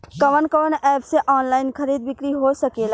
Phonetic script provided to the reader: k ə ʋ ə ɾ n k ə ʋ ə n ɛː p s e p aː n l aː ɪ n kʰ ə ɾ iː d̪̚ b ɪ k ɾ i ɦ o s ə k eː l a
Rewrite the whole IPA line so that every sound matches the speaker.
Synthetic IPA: k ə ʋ ə n k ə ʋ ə n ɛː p s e ʔ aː n l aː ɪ n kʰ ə ɾ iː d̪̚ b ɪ k ɾ i ɦ o s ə k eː l a